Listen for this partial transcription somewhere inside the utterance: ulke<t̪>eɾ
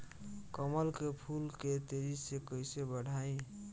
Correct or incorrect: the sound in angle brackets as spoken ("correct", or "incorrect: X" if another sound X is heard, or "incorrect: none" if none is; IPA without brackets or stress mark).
correct